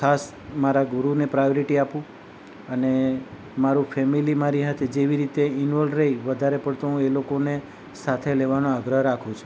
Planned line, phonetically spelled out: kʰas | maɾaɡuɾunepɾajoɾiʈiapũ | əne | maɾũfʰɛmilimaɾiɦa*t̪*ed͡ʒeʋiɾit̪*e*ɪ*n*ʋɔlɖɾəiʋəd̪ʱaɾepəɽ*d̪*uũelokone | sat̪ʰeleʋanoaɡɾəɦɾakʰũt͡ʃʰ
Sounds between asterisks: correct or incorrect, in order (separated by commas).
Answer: incorrect, correct, correct, incorrect